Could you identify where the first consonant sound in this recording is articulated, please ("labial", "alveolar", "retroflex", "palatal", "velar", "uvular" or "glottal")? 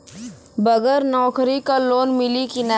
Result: labial